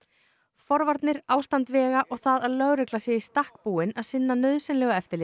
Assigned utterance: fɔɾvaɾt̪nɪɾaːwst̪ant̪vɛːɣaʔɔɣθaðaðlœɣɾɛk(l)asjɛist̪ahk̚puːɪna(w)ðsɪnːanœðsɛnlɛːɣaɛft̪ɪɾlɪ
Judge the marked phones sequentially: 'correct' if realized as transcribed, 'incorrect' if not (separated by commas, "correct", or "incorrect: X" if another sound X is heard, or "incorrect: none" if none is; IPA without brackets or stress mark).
correct, incorrect: none